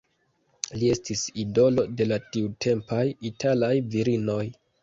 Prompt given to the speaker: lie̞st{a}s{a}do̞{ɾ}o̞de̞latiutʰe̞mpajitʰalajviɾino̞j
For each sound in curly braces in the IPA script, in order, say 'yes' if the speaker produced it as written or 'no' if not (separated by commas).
no, no, no